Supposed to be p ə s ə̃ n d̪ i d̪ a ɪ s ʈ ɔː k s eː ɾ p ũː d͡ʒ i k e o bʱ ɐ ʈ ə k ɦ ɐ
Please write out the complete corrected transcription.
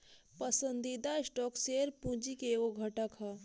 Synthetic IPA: p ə s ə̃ n d̪ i d̪ a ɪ s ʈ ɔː k s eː ɾ p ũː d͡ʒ i k e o ɡʱ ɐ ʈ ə k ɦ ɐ